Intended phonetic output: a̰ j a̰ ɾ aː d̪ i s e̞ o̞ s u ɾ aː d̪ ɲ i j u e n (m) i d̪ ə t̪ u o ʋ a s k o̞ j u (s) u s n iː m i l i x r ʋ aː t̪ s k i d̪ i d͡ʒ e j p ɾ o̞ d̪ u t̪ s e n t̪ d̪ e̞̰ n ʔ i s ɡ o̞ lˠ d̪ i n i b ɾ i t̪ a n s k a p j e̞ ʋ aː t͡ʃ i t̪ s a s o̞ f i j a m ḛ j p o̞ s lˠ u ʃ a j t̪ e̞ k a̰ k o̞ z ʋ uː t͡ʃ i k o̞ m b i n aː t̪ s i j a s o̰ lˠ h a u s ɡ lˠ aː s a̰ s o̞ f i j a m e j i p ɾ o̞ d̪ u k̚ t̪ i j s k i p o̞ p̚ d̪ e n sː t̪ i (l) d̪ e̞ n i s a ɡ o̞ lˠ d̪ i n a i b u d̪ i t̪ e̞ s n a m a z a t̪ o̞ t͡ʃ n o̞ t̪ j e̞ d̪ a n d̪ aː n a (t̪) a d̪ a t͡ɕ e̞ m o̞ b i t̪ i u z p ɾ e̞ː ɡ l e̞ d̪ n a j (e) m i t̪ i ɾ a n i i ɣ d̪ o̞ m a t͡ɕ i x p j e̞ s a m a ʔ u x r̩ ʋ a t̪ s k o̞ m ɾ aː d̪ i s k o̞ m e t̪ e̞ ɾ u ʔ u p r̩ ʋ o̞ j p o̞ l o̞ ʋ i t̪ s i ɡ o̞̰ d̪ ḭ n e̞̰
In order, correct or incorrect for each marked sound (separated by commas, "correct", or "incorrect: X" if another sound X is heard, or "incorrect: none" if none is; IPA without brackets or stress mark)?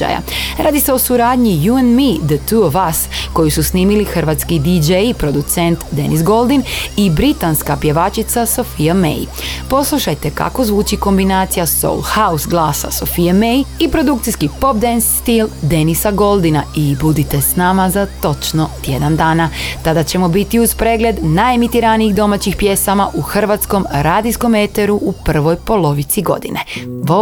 correct, correct, correct, correct, correct